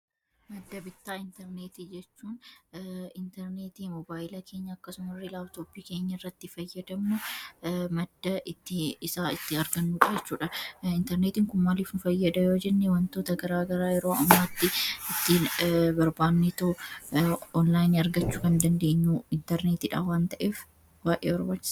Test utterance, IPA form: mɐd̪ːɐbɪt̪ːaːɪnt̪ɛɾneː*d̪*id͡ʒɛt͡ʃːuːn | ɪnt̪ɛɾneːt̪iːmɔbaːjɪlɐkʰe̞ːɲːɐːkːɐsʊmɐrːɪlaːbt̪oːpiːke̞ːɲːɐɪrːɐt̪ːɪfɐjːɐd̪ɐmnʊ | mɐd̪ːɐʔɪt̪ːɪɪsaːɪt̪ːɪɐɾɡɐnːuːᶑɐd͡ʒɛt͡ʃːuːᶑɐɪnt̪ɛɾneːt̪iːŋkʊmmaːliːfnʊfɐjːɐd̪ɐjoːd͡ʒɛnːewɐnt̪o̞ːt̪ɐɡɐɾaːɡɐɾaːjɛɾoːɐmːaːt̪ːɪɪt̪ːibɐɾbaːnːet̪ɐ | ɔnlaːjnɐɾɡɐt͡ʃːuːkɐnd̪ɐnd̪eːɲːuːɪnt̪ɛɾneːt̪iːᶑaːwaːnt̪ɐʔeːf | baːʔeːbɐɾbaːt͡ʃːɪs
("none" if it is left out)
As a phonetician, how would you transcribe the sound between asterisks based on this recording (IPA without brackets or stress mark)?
t̪